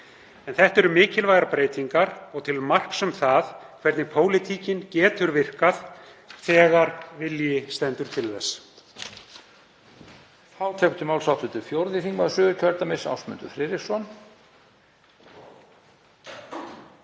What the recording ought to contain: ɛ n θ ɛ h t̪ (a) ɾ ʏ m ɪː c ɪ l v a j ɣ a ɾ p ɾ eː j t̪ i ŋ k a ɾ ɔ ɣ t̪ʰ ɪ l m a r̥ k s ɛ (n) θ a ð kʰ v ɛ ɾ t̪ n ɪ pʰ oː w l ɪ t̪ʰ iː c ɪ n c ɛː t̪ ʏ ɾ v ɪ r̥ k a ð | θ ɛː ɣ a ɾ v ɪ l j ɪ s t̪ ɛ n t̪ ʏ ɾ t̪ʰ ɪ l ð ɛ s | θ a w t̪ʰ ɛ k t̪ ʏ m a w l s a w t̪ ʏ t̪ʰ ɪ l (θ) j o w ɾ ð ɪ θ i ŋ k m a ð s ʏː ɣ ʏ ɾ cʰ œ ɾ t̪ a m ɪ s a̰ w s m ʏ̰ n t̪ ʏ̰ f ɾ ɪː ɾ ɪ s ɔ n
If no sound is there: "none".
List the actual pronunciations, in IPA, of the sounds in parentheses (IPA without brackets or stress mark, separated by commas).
ɛ, m, f